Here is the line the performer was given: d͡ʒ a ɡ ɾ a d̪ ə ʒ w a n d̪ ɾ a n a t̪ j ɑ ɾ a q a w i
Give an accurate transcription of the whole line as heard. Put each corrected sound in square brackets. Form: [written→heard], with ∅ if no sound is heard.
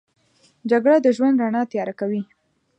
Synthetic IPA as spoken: d͡ʒ a ɡ [ɾ→ɽ] a d̪ ə ʒ w a n d̪ ɾ a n [a→ɑ] t̪ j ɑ ɾ a [q→k] a w i

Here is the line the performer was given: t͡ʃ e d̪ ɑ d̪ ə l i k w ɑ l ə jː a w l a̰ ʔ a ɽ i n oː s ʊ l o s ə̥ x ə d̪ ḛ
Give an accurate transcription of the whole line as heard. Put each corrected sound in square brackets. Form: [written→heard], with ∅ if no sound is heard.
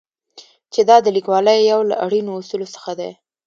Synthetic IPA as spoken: t͡ʃ e d̪ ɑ d̪ ə l i k w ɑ l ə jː a w l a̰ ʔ a ɽ i n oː s [ʊ→u] l o s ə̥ x [ə→a] d̪ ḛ

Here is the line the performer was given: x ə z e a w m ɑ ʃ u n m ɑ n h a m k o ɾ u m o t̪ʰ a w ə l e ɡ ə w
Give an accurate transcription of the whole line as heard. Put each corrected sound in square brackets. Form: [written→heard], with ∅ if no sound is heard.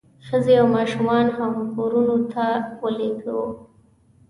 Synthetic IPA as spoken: x ə z e a w m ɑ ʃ u [n→∅] m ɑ n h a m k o ɾ u [m→n] o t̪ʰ a w ə l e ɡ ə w

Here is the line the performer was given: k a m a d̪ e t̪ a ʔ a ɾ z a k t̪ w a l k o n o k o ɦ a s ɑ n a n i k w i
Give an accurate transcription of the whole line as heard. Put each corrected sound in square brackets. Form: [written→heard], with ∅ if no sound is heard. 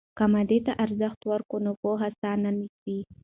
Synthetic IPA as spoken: k a m a d̪ e t̪ a ʔ a ɾ z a [k→x] t̪ w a [l→ɾ] k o n o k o ɦ a s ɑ n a n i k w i

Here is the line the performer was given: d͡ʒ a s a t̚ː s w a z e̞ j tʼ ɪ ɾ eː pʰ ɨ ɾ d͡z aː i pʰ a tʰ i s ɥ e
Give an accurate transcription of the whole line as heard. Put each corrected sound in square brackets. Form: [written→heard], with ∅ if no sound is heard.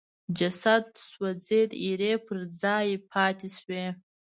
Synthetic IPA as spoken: d͡ʒ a s a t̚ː s w a [z→d͡z] e̞ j tʼ [ɪ→i] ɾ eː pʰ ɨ [ɾ→r] d͡z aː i pʰ a tʰ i s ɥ e

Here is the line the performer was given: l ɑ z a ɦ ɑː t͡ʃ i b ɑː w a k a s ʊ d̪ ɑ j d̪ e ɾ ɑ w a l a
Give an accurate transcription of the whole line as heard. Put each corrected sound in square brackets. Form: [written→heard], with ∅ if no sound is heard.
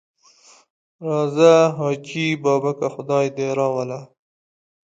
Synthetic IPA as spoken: [l→ɾ] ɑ z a ɦ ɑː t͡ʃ i b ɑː [w→b] a k a [s→x] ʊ d̪ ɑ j d̪ e ɾ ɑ w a l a

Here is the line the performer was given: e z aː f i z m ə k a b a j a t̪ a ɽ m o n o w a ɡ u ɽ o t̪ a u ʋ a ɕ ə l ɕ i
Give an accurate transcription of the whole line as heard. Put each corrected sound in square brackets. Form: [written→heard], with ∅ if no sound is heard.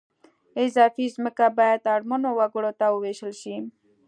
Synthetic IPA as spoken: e z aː f i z m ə k a b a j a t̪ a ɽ m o n o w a ɡ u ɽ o t̪ a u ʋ [a→e] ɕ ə l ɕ i

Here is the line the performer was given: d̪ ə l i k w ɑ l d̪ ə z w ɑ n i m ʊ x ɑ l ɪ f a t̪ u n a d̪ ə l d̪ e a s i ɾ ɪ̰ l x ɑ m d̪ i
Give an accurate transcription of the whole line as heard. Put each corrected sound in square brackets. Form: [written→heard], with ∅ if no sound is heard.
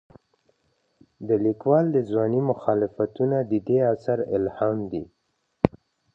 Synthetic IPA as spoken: d̪ ə l i k w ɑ l d̪ ə z w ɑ n i m ʊ x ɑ l ɪ f a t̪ u n a d̪ ə [l→∅] d̪ e a s [i→a] ɾ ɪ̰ l [x→h] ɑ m d̪ i

